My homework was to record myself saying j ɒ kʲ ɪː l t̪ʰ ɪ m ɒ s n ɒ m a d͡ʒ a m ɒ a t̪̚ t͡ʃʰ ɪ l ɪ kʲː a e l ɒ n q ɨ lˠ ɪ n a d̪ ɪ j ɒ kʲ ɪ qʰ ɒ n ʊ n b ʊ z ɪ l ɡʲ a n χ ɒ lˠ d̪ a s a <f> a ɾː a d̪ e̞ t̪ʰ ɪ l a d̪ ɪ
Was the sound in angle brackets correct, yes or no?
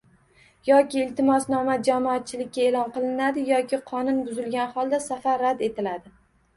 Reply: yes